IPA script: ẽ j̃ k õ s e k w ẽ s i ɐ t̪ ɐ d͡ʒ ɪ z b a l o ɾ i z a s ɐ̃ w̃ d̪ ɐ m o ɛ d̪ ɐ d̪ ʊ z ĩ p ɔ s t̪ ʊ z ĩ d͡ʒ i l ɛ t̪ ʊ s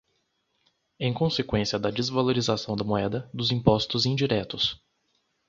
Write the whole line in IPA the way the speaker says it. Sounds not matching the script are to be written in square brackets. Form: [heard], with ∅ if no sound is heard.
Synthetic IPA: ẽ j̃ k õ s e k w ẽ s i ɐ [d̪] ɐ d͡ʒ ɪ z [v] a l o ɾ i z a s ɐ̃ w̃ d̪ ɐ m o ɛ d̪ ɐ d̪ ʊ z ĩ p ɔ s t̪ ʊ z ĩ d͡ʒ i [ɾ] ɛ t̪ ʊ s